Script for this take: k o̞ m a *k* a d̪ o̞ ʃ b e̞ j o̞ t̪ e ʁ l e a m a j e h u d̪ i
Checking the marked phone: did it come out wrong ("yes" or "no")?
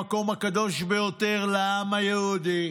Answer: no